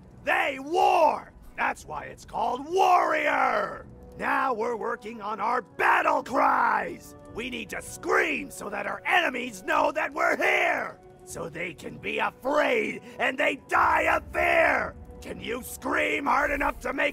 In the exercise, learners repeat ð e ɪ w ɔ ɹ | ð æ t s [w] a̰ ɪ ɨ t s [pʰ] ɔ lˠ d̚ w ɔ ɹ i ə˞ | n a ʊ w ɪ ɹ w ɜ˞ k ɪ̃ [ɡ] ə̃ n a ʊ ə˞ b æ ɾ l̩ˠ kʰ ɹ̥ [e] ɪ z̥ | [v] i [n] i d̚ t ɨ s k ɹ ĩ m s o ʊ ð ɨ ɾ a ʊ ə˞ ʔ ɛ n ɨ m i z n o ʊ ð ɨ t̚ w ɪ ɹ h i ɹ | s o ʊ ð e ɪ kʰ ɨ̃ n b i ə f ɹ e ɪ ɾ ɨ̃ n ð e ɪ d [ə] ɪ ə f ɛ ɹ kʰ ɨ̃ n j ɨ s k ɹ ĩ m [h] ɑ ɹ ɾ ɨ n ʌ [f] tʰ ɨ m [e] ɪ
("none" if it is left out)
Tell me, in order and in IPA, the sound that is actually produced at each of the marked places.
w, kʰ, ŋ, a, w, n, a, h, f, e

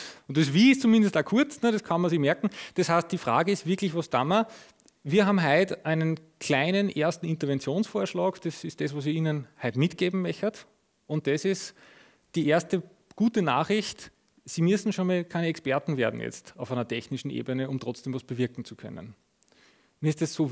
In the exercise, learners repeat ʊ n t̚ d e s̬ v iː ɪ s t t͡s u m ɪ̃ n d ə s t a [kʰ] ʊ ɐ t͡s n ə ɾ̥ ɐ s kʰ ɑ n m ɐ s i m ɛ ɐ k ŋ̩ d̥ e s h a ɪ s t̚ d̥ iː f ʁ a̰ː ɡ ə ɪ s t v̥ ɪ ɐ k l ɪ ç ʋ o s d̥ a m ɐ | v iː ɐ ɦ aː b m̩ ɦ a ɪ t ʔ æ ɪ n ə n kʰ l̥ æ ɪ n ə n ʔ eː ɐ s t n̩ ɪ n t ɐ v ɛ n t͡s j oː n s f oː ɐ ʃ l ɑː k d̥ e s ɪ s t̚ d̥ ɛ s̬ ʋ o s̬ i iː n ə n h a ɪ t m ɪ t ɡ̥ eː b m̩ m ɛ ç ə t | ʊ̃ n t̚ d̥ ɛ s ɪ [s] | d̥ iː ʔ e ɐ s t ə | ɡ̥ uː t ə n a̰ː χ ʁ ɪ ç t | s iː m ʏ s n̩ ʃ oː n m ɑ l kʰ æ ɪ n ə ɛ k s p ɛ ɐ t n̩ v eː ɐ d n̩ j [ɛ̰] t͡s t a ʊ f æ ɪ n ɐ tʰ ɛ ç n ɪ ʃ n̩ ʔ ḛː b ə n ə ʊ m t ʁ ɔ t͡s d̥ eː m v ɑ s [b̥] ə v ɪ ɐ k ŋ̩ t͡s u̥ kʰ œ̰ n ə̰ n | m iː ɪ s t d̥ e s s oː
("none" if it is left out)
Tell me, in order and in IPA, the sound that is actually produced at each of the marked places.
kʰ, s, ɛ̰, b̥

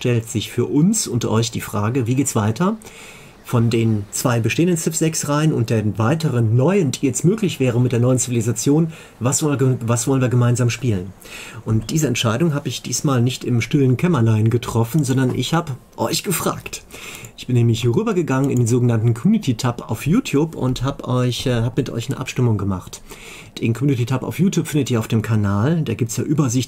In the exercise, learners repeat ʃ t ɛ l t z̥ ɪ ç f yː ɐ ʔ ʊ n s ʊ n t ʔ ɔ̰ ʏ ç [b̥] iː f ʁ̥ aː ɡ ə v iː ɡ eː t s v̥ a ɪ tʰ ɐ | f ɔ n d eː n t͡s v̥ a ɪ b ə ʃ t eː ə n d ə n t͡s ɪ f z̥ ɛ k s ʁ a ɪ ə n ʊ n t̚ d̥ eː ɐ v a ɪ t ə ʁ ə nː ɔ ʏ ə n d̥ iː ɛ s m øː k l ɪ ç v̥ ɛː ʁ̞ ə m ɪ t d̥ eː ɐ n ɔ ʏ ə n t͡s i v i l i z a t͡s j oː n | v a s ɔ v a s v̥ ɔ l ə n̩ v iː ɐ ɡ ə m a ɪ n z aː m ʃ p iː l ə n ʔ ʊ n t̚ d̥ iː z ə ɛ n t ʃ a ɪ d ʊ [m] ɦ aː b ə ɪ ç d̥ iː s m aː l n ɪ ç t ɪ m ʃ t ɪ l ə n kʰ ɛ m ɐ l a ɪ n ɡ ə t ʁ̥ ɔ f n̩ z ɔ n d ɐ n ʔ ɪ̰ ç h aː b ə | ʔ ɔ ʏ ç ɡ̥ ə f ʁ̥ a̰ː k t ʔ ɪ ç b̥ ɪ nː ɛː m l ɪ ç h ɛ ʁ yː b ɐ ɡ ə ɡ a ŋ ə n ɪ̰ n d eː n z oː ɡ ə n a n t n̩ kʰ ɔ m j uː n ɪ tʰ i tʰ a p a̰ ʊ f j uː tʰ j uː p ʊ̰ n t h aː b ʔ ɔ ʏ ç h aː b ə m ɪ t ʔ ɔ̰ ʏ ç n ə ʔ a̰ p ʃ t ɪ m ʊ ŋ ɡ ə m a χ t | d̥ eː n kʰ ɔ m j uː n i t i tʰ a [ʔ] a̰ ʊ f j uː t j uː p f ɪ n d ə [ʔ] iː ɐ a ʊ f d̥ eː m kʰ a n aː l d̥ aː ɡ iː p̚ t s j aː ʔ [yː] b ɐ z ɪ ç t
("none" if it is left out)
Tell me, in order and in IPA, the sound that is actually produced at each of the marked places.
d̥, ŋ, p, t, yː

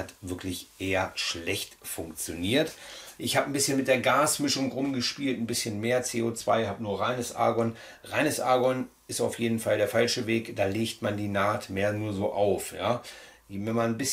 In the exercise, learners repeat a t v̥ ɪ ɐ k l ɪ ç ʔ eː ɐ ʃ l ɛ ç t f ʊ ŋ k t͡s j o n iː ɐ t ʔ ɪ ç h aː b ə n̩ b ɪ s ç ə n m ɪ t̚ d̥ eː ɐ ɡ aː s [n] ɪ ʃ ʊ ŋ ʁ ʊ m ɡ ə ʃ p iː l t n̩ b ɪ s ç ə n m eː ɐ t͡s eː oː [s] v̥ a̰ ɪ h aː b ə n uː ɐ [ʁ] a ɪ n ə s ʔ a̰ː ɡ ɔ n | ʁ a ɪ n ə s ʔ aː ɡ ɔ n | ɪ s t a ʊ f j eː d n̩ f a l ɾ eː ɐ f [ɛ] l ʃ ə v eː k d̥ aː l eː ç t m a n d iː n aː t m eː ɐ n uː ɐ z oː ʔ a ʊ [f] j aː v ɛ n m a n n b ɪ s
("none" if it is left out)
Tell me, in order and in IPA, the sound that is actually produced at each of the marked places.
m, t͡s, ʁ, a, f

